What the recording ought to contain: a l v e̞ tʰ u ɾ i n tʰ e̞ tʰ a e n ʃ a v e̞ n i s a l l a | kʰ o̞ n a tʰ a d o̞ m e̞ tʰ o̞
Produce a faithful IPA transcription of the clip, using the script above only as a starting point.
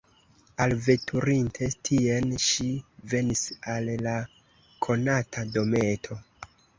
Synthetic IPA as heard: a l v e̞ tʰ u ɾ i n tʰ e̞ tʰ i e n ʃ i v e̞ n i s a l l a | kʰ o̞ n a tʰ a d o̞ m e̞ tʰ o̞